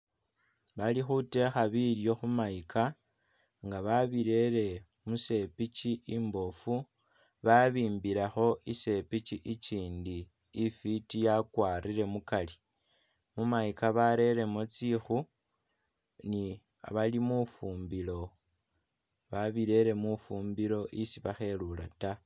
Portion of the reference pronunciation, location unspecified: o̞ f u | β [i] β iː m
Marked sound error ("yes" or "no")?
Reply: yes